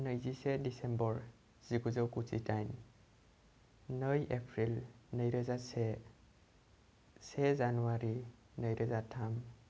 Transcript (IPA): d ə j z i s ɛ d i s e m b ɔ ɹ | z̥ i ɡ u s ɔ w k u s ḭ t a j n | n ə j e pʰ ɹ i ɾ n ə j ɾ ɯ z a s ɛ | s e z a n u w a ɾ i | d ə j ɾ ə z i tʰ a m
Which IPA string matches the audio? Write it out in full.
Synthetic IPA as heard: n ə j z i s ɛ d i s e m b ɔ ɹ | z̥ i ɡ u z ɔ w k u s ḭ t a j n | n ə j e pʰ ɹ i l n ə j ɾ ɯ z a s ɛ | s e z a n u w a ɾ i | n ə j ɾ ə z a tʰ a m